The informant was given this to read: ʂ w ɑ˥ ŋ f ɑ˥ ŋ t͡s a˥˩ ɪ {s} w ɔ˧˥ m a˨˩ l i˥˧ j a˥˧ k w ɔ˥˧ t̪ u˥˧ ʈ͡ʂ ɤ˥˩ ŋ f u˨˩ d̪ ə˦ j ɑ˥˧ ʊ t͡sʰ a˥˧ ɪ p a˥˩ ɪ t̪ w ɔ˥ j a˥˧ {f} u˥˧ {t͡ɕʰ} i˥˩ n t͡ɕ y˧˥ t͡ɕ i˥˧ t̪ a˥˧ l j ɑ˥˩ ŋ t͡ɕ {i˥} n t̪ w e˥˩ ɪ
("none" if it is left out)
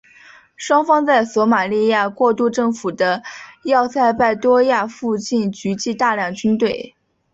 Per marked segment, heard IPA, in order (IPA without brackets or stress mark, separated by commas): s, f, t͡ɕ, y˥